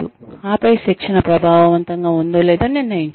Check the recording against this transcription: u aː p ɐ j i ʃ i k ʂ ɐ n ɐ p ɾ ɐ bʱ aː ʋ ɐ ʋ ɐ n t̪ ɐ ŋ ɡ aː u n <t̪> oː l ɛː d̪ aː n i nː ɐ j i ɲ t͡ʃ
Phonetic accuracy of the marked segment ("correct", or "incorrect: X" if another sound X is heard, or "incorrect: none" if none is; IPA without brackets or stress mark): incorrect: d̪